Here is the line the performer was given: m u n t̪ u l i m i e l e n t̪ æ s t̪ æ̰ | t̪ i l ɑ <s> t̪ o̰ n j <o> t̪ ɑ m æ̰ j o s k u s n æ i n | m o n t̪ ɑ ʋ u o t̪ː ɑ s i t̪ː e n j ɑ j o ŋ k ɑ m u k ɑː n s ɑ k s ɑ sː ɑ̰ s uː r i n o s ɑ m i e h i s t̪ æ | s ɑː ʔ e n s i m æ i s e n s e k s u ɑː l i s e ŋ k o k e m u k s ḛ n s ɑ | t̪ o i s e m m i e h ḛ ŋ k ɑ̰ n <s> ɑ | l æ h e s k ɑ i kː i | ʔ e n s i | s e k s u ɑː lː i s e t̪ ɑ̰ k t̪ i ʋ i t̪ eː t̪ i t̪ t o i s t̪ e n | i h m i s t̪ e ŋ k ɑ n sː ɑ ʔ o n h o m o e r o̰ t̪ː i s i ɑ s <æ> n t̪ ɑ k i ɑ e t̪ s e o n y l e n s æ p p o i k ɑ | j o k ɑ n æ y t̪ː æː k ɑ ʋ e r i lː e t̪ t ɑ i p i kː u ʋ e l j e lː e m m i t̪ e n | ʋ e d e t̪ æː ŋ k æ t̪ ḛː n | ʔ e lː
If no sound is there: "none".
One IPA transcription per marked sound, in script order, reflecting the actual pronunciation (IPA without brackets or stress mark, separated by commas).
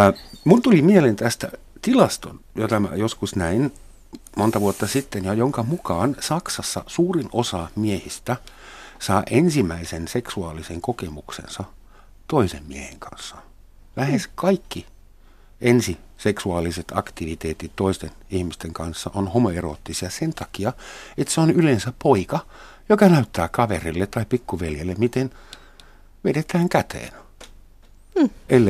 s, o, sː, e